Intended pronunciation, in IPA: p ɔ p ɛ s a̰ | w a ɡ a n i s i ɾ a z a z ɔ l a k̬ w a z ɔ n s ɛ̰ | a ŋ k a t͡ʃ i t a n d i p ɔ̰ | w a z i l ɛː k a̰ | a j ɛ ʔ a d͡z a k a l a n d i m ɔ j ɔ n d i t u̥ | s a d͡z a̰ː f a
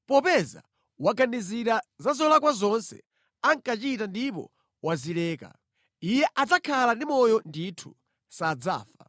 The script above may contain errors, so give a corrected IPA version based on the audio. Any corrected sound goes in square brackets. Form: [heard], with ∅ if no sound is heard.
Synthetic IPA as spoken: p ɔ p ɛ [z] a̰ | w a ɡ a n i [z] i ɾ a z a z ɔ l a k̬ w a z ɔ n s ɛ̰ | a ŋ k a t͡ʃ i t a n d i p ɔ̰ | w a z i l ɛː k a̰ | [i] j ɛ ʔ a d͡z a [kʰ] a l a n d i m ɔ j ɔ n d i [tʰ] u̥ | s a d͡z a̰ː f a